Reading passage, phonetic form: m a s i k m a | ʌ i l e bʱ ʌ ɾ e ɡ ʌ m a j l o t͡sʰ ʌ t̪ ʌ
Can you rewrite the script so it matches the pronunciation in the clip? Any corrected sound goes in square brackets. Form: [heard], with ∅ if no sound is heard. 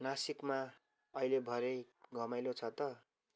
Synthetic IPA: [n] a s i k m a | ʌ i l e bʱ ʌ ɾ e ɡ ʌ m a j l o t͡sʰ ʌ t̪ ʌ